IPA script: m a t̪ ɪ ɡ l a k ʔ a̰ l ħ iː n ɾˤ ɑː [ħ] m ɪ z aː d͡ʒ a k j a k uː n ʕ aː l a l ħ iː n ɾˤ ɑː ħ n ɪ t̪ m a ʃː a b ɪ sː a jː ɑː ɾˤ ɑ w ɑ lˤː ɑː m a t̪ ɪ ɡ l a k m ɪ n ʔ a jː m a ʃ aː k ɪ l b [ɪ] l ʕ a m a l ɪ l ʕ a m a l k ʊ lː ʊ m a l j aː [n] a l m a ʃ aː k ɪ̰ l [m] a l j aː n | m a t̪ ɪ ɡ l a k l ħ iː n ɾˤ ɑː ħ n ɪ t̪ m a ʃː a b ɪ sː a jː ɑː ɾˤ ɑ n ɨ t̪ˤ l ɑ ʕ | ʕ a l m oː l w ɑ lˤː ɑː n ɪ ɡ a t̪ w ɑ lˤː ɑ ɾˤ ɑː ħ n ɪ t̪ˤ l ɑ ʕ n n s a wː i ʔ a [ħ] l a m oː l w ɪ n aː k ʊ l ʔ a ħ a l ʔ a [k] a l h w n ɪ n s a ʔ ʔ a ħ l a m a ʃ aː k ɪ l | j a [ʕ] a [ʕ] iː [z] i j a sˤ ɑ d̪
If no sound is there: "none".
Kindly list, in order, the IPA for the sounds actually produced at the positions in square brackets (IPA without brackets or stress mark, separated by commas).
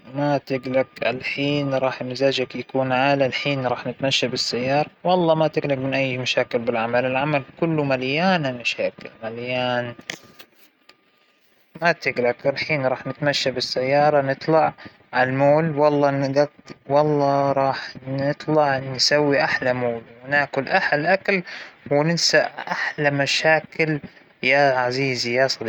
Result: ħ, ɪ, n, m, ħ, k, ʕ, z, z